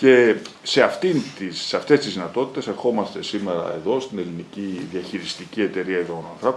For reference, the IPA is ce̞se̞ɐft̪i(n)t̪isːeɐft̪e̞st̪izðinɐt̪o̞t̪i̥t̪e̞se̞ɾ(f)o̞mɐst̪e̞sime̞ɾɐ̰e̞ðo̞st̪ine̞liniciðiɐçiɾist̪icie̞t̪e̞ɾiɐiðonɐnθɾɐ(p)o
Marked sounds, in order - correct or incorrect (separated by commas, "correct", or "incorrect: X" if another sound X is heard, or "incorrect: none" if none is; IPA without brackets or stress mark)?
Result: correct, incorrect: x, correct